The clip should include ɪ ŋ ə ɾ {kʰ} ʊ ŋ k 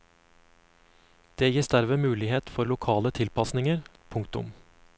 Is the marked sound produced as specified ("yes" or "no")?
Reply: no